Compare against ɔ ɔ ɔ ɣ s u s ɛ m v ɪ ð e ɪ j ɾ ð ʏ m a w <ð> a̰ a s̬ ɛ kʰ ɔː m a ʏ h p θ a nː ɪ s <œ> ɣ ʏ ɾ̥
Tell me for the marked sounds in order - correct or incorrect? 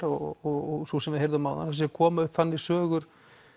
correct, incorrect

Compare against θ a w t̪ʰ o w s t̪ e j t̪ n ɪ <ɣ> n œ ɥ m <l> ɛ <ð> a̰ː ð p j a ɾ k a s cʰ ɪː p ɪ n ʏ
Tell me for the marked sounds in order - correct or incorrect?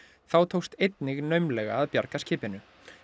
correct, correct, incorrect

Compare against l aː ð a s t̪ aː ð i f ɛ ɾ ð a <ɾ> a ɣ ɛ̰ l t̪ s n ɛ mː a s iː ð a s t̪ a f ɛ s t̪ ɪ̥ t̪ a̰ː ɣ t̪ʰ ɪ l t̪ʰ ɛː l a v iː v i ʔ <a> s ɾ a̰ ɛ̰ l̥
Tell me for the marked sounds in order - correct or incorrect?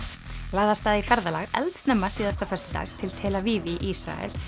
incorrect, incorrect

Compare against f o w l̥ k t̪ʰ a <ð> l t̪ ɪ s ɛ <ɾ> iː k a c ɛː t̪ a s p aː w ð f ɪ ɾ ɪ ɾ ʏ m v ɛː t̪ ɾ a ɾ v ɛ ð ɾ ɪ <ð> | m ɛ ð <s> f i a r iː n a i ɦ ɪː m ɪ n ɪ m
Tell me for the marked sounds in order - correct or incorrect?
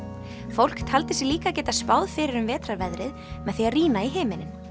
incorrect, incorrect, correct, incorrect

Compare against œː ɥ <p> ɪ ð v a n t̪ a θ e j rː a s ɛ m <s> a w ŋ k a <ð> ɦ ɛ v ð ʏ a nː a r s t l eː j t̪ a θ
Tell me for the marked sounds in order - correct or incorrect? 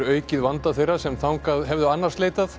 incorrect, incorrect, correct

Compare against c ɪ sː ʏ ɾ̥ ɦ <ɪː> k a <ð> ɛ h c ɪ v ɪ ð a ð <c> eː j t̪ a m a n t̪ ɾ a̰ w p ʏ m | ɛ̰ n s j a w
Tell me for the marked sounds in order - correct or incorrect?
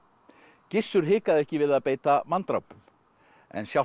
correct, correct, incorrect

